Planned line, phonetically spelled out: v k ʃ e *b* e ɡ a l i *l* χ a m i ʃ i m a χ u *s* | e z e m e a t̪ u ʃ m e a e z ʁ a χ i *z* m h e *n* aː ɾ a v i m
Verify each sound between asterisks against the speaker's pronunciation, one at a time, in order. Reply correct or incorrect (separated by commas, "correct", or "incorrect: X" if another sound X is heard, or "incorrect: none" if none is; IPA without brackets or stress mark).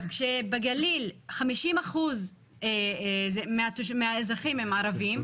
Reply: correct, correct, incorrect: z, incorrect: none, incorrect: m